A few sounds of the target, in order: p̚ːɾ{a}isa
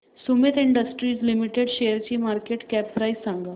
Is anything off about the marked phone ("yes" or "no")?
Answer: no